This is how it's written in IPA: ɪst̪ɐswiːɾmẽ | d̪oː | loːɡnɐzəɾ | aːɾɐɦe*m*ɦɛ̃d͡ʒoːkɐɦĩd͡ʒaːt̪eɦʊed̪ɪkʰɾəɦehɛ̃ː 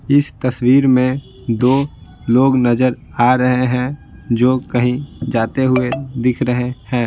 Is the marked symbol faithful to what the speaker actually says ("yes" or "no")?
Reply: no